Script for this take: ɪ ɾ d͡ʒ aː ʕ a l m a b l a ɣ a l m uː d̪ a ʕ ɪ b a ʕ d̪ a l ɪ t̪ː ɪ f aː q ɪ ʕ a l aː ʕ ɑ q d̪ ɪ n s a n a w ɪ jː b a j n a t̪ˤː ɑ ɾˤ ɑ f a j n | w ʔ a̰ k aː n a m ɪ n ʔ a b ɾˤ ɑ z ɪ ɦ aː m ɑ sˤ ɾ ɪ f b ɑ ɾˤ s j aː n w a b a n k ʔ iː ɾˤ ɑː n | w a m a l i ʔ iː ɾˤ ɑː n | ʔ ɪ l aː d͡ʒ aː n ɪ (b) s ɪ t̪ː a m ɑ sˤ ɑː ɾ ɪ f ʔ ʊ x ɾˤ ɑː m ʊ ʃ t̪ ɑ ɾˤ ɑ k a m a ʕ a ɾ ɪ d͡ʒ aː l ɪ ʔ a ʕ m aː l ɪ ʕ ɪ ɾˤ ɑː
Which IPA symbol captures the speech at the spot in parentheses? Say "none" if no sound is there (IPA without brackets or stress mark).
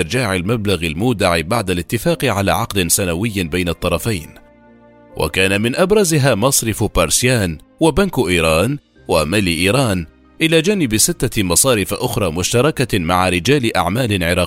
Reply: b